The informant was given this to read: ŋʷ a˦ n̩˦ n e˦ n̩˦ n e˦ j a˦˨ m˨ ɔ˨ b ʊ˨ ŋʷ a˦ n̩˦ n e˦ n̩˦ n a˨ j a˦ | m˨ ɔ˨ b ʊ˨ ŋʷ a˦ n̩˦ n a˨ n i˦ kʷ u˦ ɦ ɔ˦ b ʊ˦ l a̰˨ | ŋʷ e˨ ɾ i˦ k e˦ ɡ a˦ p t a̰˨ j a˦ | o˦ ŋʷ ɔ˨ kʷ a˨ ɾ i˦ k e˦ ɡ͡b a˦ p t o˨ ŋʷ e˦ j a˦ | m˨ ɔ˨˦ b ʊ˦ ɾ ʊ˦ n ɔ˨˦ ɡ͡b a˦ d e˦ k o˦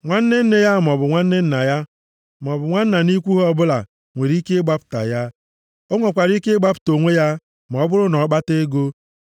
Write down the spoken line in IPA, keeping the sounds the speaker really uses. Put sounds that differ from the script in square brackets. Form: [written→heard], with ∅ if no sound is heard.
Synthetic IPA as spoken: ŋʷ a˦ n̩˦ n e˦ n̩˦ n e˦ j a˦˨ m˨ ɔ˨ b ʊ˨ ŋʷ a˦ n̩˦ n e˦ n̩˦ n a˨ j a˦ | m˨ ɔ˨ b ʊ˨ ŋʷ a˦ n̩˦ n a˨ n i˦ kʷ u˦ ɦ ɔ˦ b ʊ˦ l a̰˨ | ŋʷ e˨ ɾ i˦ k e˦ [ɡ→ɡ͡b] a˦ p t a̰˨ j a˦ | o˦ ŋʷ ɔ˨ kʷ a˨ ɾ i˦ k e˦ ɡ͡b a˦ p t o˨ ŋʷ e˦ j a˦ | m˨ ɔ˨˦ b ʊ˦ ɾ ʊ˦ n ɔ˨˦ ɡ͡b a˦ [d→t] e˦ [k→ɡ] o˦